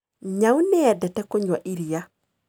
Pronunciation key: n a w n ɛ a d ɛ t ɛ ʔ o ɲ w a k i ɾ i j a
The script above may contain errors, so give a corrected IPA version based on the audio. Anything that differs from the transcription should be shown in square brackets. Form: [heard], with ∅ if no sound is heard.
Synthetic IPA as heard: [ɲ] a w n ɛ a d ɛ t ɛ [k] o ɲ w a [ʔ] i ɾ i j a

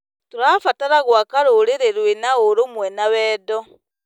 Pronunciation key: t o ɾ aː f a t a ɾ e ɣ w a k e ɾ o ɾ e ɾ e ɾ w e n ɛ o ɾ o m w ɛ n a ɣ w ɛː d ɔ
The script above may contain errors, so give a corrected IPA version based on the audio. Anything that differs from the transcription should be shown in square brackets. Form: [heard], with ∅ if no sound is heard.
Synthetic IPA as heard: t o ɾ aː f a t a ɾ [a] ɣ w a k [a] ɾ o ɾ e ɾ e ɾ w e n [a] o ɾ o m w ɛ n a [∅] w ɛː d ɔ

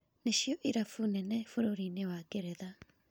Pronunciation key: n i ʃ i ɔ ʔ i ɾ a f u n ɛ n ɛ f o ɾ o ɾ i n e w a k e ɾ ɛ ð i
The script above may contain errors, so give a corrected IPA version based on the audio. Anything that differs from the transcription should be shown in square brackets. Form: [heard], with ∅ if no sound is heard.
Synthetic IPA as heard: n [e] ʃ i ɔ ʔ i ɾ a f u n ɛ n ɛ f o ɾ o ɾ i n e w a k e ɾ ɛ ð [a]

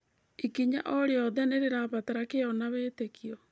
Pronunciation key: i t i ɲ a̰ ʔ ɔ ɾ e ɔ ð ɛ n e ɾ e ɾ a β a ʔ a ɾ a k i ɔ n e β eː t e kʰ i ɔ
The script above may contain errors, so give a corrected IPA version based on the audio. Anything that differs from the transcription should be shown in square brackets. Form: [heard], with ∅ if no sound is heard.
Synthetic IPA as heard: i [k] i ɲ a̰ ʔ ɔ ɾ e ɔ ð ɛ n e ɾ e ɾ a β a [t] a ɾ a k [e] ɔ n [a] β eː t e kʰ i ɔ

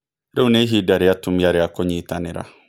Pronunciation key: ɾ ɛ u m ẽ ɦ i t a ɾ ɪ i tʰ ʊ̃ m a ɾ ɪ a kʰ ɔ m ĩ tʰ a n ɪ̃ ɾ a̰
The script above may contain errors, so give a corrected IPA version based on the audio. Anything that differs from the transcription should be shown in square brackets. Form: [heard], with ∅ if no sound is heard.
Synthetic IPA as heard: ɾ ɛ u [n] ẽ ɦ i [d] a ɾ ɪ [a] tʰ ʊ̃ m a ɾ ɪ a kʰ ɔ [ɲ] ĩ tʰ a n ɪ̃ ɾ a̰

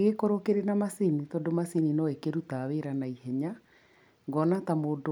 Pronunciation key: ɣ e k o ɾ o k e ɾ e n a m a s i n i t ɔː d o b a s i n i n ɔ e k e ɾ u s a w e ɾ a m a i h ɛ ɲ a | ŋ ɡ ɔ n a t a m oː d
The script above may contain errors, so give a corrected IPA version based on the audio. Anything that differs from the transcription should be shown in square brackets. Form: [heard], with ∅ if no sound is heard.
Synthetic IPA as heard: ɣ e k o ɾ o k e ɾ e n a m a s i n i t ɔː d o [m] a s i n i n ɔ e k e ɾ u [t] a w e ɾ a [n] a i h ɛ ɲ a | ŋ ɡ ɔ n a t a m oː d

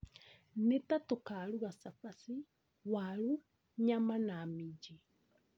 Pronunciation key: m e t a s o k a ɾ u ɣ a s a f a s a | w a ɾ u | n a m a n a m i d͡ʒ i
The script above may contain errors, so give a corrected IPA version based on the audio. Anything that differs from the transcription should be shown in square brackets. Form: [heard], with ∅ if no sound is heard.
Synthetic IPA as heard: [n] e t a [t] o k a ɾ u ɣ a s a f a s [i] | w a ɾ u | [ɲ] a m a n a m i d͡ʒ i

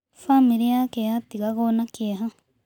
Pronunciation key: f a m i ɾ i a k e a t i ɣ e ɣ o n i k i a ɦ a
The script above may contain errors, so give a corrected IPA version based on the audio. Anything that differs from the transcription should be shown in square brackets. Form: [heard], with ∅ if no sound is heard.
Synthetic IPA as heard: f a m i ɾ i a k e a t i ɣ [a] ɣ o n [a] k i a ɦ a

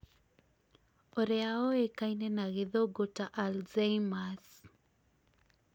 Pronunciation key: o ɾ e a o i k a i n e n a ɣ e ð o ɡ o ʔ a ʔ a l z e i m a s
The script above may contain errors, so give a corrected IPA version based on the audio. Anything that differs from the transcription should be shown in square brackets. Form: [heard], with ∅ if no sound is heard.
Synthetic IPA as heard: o ɾ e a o [e] k a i n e n a ɣ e ð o ɡ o [t] a ʔ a l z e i m a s

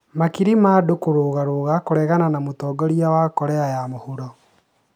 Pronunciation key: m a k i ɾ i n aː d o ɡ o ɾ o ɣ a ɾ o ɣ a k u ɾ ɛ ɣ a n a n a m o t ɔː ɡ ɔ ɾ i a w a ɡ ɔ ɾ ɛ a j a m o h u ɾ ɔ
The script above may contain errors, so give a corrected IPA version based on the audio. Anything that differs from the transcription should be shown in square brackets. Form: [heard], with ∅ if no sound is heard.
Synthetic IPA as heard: m a k i ɾ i [m] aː d o [k] o ɾ o ɣ a ɾ o ɣ a k [o] ɾ ɛ ɣ a n a n a m o t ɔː ɡ ɔ ɾ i a w a [k] ɔ ɾ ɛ a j a m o h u ɾ ɔ

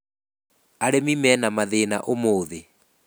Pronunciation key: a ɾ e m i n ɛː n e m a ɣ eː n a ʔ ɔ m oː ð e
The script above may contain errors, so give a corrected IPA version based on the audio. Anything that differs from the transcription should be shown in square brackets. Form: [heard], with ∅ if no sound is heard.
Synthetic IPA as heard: a ɾ e m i [m] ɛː n [a] m a [ð] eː n a ʔ [o] m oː ð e

